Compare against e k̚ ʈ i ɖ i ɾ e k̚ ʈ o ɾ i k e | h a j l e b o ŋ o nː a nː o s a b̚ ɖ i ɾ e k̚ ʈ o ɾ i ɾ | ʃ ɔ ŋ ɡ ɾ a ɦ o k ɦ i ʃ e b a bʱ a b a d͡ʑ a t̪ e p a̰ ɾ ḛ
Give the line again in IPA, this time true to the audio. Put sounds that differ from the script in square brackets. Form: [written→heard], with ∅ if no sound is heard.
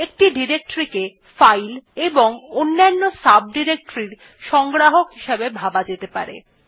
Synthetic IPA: e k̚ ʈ i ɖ i ɾ e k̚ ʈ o ɾ i k e | [h→f] a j l e b o ŋ o nː a nː o s a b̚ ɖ i ɾ e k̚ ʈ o ɾ i ɾ | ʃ ɔ ŋ ɡ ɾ a ɦ o k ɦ i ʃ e b [a→e] bʱ a b a d͡ʑ [a→e] t̪ e p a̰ ɾ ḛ